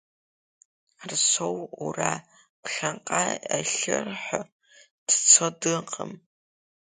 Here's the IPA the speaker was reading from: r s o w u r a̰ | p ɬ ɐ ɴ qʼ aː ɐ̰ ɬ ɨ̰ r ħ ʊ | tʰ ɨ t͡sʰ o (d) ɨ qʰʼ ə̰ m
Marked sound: correct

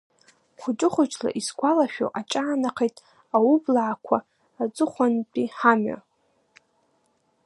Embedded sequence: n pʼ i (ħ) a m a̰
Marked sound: correct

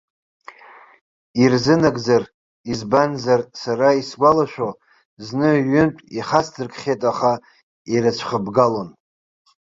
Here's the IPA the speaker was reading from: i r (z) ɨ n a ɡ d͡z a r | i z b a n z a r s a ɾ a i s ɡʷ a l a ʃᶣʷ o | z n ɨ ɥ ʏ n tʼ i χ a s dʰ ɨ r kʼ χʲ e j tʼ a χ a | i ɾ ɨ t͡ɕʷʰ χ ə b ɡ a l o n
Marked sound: correct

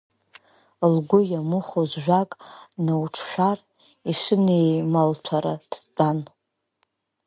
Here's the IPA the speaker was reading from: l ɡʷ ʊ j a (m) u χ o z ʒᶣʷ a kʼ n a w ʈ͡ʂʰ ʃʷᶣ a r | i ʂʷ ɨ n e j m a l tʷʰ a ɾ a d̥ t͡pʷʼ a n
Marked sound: correct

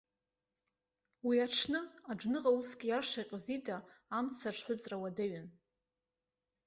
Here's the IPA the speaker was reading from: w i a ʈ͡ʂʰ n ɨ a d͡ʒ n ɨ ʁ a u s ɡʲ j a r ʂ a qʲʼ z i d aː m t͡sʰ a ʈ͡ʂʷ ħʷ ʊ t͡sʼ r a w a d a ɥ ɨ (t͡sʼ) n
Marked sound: incorrect: none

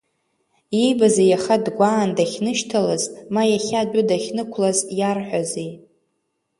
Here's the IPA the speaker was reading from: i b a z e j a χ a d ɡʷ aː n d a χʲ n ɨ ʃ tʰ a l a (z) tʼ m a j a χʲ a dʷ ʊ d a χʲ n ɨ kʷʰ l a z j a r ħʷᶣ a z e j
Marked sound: correct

